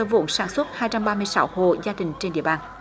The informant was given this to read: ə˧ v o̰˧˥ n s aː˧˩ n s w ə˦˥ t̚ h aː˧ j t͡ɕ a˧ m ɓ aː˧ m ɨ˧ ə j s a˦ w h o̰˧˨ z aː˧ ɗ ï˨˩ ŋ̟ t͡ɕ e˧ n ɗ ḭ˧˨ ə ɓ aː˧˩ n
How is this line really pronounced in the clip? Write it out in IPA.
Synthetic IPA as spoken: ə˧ v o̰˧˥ n s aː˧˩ n s w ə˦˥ t̚ h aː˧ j t͡ɕ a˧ m ɓ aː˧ m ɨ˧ ə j s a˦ w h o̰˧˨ z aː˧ ɗ ï˨˩ ŋ̟ t͡ɕ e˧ n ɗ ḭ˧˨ ə ɓ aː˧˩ n